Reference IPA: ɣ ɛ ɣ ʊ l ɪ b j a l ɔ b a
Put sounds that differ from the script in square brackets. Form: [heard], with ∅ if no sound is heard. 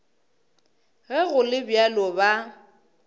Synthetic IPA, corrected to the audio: ɣ ɛ ɣ ʊ l ɪ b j a l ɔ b a